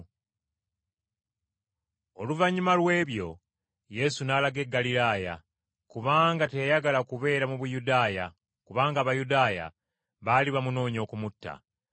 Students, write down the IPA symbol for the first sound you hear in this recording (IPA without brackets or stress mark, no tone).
o̞